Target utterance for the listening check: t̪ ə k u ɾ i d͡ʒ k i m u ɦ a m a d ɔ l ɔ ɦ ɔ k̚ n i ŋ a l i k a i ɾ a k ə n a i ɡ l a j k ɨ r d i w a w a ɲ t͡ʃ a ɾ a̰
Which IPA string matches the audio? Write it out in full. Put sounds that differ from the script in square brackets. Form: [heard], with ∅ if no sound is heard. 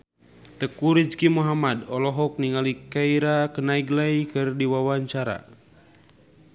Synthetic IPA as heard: t̪ ə k u ɾ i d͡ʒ k i m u ɦ a m a d ɔ l ɔ ɦ ɔ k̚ n i ŋ a l i k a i ɾ a k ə n a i ɡ l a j k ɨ r d i w a w a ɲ t͡ʃ a ɾ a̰